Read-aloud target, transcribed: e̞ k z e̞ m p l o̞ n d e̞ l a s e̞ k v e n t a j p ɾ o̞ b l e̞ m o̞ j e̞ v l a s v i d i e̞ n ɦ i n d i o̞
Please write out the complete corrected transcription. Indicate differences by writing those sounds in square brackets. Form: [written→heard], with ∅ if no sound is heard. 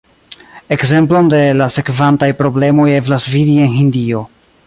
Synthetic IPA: e̞ k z e̞ m p l o̞ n d e̞ l a s e̞ k v [e→a] n t a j p ɾ o̞ b l e̞ m o̞ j e̞ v l a s v i d i e̞ n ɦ i n d i o̞